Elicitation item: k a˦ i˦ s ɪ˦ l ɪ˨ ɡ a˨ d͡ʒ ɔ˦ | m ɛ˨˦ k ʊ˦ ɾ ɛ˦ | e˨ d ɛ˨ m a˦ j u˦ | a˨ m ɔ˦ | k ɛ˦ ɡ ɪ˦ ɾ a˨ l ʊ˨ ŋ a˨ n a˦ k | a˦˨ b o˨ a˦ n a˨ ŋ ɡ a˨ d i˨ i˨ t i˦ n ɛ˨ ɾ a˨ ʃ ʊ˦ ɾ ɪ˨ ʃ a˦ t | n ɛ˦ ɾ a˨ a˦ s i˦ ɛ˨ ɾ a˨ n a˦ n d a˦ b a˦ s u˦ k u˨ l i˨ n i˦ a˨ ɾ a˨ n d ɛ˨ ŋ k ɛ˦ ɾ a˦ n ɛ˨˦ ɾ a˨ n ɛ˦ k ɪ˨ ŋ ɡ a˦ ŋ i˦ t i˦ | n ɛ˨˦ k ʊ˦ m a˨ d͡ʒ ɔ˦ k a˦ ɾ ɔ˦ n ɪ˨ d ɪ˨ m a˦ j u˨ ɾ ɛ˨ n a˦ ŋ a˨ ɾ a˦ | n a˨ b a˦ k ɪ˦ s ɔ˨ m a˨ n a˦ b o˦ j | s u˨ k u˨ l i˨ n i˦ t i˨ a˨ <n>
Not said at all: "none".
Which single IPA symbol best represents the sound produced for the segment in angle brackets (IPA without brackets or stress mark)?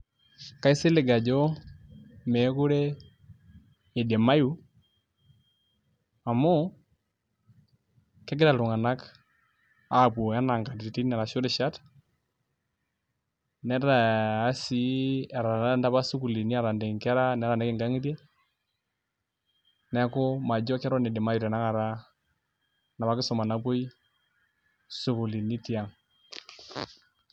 ŋ